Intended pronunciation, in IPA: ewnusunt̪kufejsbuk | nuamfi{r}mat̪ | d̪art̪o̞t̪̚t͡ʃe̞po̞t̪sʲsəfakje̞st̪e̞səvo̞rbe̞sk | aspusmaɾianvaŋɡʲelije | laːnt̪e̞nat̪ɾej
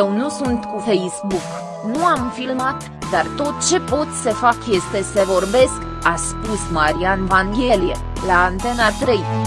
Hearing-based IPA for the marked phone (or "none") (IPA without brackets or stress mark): l